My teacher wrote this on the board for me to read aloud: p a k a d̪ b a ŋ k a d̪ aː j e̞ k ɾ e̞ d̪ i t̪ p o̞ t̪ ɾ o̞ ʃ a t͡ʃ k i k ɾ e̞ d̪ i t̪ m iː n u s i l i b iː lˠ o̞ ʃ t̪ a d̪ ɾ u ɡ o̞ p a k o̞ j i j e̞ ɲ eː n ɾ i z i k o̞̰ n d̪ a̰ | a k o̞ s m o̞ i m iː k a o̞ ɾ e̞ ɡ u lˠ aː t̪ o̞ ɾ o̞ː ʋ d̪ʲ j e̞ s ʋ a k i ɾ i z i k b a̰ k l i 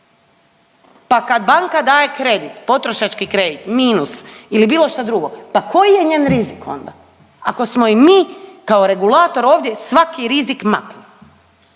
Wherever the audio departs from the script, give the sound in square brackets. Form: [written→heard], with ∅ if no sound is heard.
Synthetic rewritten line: p a k a d̪ b a ŋ k a d̪ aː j e̞ k ɾ e̞ d̪ i t̪ p o̞ t̪ ɾ o̞ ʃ a t͡ʃ k i k ɾ e̞ d̪ i t̪ m iː n u s i l i b iː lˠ o̞ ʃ t̪ a d̪ ɾ u ɡ o̞ p a k o̞ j i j e̞ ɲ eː n ɾ i z i k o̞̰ n d̪ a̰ | a k o̞ s m o̞ i m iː k a o̞ ɾ e̞ ɡ u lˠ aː t̪ o̞ ɾ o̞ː ʋ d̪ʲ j e̞ s ʋ a k i ɾ i z i k [b→m] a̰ k l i

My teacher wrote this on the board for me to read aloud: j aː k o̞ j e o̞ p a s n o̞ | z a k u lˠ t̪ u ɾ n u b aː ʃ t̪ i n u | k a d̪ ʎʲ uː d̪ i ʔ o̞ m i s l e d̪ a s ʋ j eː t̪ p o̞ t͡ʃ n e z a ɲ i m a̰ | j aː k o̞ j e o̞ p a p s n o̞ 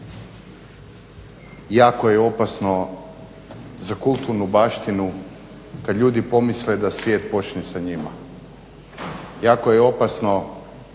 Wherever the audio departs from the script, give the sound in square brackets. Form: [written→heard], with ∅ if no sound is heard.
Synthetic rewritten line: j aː k o̞ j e o̞ p a s n o̞ | z a k u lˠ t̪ u ɾ n u b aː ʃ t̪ i n u | k a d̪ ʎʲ uː d̪ i [ʔ→p] o̞ m i s l e d̪ a s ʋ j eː t̪ p o̞ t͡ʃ n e [z→s] a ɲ i m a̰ | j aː k o̞ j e o̞ p a [p→∅] s n o̞

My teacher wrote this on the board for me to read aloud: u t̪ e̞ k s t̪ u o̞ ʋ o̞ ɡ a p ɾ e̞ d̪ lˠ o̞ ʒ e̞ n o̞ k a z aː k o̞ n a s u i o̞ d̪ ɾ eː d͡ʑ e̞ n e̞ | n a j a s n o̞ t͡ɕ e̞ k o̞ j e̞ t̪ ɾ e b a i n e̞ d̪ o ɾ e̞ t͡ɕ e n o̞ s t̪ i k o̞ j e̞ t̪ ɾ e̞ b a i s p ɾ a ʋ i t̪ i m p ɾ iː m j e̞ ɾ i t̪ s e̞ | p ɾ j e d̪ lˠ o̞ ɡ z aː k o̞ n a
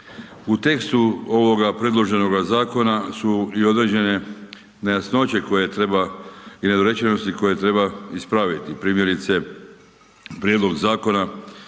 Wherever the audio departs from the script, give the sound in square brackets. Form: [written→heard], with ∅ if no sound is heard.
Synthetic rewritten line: u t̪ e̞ k s t̪ u o̞ ʋ o̞ ɡ a p ɾ e̞ d̪ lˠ o̞ ʒ e̞ n o̞ [k→ɡ] a z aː k o̞ n a s u i o̞ d̪ ɾ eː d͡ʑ e̞ n e̞ | n a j a s n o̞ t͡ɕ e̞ k o̞ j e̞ t̪ ɾ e b a i n e̞ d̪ o ɾ e̞ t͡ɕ e n o̞ s t̪ i k o̞ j e̞ t̪ ɾ e̞ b a i s p ɾ a ʋ i t̪ i [m→∅] p ɾ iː m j e̞ ɾ i t̪ s e̞ | p ɾ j e d̪ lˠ o̞ ɡ z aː k o̞ n a

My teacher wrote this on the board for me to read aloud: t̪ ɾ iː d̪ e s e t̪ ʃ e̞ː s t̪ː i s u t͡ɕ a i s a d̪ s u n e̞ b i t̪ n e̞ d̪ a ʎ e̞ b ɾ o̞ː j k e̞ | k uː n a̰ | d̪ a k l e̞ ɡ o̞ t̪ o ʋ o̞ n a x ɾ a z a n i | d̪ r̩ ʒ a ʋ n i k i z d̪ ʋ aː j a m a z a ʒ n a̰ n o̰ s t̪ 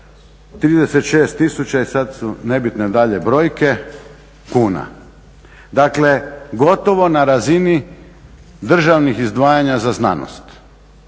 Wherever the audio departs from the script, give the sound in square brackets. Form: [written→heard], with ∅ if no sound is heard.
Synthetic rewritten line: t̪ ɾ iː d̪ e s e t̪ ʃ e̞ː s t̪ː i s u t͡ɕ a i s a d̪ s u n e̞ b i t̪ n e̞ d̪ a ʎ e̞ b ɾ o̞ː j k e̞ | k uː n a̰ | d̪ a k l e̞ ɡ o̞ t̪ o ʋ o̞ n a [x→∅] ɾ a z [a→i] n i | d̪ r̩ ʒ a ʋ n i [k→x] i z d̪ ʋ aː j a [m→ɲ] a z a [ʒ→z] n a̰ n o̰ s t̪

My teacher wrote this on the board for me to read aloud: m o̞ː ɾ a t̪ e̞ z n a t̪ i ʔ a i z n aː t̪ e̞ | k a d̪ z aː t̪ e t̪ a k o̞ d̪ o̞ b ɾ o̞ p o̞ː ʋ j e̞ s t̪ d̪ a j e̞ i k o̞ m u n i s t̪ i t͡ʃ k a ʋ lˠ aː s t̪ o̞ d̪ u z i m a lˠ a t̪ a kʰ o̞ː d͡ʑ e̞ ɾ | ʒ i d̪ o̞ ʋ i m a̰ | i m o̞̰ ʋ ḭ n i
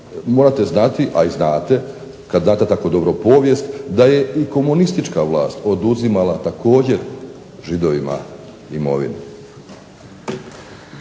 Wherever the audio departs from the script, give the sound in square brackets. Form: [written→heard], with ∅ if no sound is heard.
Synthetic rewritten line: m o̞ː ɾ a t̪ e̞ z n a t̪ i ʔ a i z n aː t̪ e̞ | k a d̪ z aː t̪ e t̪ a k o̞ d̪ o̞ b ɾ o̞ p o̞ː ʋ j e̞ s t̪ d̪ a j e̞ i k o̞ m u n i s t̪ i t͡ʃ k a ʋ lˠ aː s t̪ o̞ d̪ u z i m a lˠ a t̪ a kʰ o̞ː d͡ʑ e̞ ɾ | ʒ i d̪ o̞ ʋ i m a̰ | i m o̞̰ ʋ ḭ n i

